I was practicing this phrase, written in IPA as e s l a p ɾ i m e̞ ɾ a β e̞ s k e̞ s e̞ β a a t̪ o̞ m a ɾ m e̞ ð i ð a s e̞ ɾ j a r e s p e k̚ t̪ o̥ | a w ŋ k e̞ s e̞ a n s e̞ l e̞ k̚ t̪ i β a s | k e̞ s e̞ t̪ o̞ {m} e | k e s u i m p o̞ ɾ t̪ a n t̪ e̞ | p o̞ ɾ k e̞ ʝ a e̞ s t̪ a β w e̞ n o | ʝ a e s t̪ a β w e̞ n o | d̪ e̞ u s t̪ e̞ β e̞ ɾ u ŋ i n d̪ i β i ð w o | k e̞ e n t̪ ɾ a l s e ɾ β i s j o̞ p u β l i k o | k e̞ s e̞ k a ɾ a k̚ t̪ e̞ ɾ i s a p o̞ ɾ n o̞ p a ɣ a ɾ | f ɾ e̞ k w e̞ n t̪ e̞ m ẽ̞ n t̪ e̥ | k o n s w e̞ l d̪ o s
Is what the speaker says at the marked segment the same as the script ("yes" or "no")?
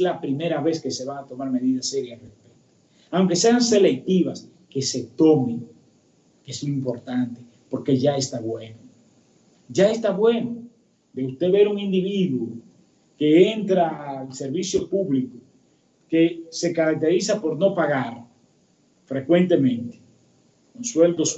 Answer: yes